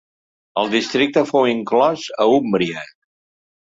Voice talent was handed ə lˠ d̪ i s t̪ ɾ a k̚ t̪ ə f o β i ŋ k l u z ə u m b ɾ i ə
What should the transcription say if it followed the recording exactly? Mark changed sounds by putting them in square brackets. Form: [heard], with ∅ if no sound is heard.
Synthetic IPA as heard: ə lˠ d̪ i s t̪ ɾ [i] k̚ t̪ ə f o [w] i ŋ k l [ɔ] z ə u m b ɾ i ə